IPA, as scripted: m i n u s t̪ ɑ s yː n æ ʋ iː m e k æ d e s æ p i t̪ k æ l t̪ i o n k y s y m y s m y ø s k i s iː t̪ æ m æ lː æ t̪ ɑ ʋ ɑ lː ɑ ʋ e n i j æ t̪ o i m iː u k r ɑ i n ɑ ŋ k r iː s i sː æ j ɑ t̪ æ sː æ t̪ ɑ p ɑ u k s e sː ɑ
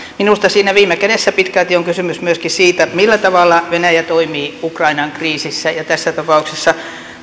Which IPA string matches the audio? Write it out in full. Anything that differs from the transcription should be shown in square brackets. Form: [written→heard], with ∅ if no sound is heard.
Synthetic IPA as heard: m i n u s t̪ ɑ s [yː→iː] n æ ʋ iː m e k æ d e [s→sː] æ p i t̪ k æ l t̪ i o [n→ŋ] k y s y m y s m y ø s k i s iː t̪ æ m [æ→i] lː æ t̪ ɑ ʋ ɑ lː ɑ ʋ e n [i→æ] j æ t̪ o i m iː u k r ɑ i n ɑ ŋ k r iː s i sː æ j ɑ t̪ æ sː æ t̪ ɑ p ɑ u k s e sː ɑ